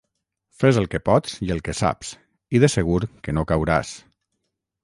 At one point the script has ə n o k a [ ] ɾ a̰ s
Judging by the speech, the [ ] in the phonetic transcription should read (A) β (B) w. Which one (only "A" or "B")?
B